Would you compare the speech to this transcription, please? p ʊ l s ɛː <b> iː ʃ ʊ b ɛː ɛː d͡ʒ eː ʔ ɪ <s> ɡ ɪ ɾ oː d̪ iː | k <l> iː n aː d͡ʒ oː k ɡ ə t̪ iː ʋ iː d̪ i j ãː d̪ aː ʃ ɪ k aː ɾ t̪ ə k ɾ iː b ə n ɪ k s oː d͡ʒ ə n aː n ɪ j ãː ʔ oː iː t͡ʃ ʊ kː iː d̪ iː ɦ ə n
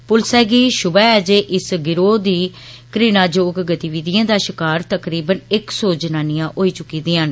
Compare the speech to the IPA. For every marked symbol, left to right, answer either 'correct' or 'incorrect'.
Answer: incorrect: ɡ, correct, incorrect: ɾ

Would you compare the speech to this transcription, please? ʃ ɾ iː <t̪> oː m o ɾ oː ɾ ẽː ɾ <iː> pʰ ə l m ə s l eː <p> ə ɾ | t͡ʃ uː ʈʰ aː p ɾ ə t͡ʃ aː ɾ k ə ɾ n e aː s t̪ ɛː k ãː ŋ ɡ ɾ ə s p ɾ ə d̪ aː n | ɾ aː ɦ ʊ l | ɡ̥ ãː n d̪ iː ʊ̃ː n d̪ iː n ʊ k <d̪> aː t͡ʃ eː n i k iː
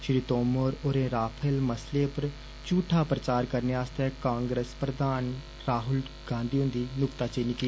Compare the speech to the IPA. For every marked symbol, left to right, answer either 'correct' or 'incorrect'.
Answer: correct, incorrect: aː, correct, incorrect: t̪

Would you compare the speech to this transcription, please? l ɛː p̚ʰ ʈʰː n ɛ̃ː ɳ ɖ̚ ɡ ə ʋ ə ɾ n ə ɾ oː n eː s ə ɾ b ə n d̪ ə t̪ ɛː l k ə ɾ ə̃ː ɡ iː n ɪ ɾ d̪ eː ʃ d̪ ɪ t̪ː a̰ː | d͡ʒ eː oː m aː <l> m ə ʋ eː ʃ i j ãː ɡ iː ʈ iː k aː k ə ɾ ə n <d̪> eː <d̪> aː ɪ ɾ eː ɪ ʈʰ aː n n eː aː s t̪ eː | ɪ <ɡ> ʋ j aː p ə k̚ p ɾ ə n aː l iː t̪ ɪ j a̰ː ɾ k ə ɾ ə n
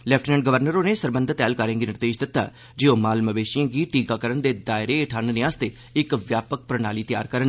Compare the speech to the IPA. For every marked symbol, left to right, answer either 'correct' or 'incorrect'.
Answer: correct, correct, correct, incorrect: k

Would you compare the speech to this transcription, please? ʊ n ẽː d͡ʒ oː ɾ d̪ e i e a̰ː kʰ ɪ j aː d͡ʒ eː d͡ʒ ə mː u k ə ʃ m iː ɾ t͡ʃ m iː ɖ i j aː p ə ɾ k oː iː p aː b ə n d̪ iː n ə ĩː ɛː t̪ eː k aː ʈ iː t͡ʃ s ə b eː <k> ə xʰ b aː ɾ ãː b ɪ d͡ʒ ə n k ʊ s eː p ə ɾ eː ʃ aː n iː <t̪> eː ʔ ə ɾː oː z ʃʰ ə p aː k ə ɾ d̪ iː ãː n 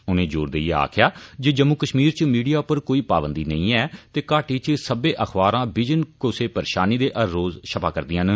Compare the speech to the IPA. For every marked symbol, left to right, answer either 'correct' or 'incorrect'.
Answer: incorrect: ʔ, incorrect: d̪

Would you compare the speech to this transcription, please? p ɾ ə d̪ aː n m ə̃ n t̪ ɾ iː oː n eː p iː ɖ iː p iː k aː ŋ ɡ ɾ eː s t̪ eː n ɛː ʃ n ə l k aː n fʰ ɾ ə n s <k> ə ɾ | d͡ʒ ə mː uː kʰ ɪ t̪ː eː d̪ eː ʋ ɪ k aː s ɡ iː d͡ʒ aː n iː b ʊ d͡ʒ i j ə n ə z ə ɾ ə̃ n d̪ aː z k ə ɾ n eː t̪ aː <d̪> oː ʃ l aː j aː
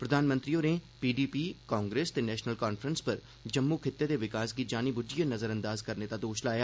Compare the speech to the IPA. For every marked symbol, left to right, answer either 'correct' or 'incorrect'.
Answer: incorrect: p, correct

